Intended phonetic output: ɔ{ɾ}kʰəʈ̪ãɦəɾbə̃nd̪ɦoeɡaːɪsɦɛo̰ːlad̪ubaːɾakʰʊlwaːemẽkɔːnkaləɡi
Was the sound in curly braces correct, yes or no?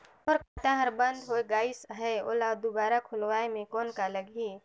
yes